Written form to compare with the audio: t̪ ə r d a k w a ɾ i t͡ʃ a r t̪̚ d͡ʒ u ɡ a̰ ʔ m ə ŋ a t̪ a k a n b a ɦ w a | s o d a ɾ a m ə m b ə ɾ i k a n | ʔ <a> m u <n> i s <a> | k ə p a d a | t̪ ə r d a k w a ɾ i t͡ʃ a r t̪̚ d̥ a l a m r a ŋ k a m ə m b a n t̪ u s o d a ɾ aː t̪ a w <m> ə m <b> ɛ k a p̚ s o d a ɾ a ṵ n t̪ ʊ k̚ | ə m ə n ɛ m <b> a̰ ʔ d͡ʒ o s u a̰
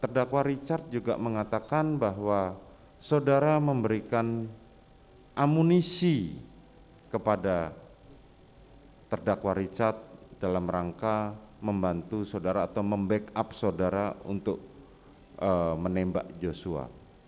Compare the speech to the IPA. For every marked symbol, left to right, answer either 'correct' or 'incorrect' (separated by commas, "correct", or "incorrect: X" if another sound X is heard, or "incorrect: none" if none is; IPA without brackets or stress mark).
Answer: correct, correct, incorrect: i, correct, correct, correct